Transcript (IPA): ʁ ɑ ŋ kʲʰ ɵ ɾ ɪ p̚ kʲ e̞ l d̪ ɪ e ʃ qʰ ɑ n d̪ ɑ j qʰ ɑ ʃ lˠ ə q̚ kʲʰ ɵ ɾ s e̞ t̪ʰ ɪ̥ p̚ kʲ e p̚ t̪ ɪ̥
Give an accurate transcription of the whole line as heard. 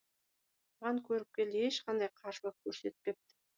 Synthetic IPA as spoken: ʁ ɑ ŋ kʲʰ ɵ ɾ ɪ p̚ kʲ e̞ l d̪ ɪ e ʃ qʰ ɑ n d̪ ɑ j qʰ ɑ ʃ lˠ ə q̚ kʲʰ ɵ ɾ s e̞ t̪ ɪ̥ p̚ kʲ e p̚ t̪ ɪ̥